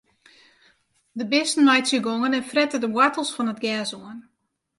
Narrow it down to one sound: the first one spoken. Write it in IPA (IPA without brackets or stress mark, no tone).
d